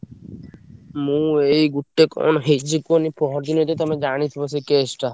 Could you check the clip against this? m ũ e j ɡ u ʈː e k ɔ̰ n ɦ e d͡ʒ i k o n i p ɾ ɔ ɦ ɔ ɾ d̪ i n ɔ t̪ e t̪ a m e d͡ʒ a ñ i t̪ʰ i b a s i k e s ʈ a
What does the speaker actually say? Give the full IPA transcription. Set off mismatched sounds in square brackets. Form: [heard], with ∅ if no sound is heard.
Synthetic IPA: m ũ e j ɡ u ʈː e k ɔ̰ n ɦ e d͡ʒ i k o n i p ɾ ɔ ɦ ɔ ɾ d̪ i n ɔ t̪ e t̪ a m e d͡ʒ a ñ i t̪ʰ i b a s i k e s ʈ a